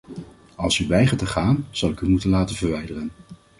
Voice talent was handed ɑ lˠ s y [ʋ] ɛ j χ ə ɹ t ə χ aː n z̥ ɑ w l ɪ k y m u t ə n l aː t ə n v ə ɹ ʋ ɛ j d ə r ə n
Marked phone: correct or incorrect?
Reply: correct